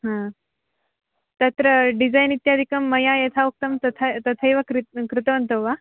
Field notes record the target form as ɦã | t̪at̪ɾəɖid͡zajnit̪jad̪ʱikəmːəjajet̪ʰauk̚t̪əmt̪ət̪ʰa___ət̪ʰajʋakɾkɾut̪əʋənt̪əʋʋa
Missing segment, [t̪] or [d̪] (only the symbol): t̪